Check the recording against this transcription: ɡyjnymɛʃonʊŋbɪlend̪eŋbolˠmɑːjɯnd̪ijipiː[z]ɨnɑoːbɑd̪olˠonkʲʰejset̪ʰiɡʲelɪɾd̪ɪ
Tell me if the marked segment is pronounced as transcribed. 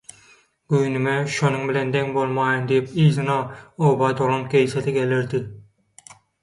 yes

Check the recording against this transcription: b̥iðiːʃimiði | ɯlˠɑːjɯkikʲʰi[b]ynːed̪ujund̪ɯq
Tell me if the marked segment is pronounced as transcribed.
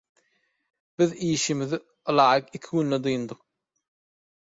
no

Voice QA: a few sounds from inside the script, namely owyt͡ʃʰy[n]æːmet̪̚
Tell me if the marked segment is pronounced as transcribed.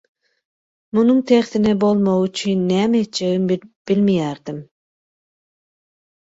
no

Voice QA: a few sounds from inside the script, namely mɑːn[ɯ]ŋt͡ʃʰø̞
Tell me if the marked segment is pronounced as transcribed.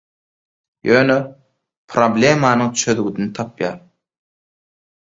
yes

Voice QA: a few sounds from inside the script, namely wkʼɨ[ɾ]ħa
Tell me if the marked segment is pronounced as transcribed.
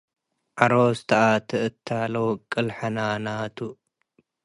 no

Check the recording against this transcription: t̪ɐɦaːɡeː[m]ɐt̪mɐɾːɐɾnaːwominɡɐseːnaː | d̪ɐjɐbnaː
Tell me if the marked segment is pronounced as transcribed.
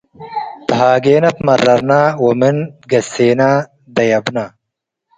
no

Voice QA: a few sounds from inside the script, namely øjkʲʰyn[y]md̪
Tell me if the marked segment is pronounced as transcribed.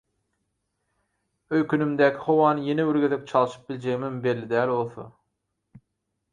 yes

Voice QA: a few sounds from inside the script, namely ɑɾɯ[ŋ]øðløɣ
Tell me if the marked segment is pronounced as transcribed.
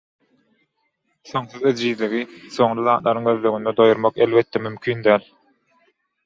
yes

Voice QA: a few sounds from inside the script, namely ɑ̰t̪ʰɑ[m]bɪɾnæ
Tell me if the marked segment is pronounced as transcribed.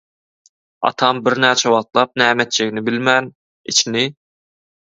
yes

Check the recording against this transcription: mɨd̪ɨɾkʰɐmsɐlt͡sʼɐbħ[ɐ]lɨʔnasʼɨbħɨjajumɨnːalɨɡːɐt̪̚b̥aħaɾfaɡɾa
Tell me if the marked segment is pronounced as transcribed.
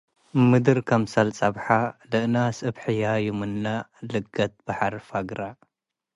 no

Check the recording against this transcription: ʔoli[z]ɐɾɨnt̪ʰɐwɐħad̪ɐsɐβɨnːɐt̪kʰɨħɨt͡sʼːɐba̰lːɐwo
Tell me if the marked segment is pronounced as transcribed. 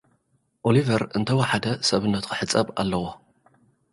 no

